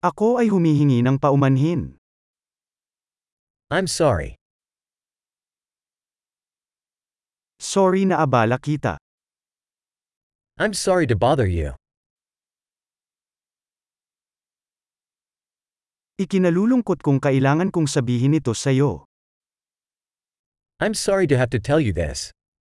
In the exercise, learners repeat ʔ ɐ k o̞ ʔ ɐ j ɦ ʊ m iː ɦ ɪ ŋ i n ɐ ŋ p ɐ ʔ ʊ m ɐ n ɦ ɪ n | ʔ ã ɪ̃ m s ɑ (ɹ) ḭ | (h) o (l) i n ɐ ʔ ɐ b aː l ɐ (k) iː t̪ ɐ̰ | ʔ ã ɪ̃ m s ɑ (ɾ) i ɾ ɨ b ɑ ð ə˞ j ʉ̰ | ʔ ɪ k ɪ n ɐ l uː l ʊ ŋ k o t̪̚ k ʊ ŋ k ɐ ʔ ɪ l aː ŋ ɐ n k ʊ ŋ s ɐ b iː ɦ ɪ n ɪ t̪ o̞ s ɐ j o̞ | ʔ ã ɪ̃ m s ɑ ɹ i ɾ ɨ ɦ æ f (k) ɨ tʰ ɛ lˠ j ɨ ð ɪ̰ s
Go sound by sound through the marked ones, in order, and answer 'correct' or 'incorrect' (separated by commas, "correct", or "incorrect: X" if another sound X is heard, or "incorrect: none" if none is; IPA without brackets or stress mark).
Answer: correct, incorrect: s, incorrect: ɹ, correct, incorrect: ɹ, incorrect: t